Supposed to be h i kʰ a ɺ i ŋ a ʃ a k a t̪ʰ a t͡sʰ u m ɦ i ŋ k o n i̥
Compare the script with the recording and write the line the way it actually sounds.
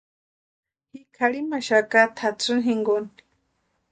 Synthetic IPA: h i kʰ a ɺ i m a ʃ a k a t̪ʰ a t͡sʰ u n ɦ i ŋ ɡ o n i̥